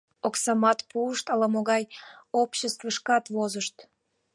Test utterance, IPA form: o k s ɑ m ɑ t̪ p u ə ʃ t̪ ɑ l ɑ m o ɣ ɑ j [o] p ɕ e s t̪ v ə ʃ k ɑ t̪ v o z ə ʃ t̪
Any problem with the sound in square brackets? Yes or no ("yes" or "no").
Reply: no